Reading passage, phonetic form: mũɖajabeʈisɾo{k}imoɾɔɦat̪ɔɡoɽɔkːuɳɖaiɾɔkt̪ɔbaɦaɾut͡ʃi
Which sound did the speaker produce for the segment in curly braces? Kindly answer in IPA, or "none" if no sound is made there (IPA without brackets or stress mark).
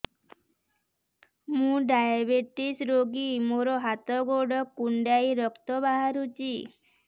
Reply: ɡ